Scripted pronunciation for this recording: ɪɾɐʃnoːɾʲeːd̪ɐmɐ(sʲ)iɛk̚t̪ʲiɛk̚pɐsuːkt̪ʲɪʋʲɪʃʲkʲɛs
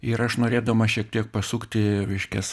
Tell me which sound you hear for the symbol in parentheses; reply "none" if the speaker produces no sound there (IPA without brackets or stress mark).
ʃʲ